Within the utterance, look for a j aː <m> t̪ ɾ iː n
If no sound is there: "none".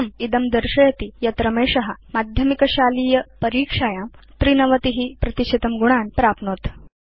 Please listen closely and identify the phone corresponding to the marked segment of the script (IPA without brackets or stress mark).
m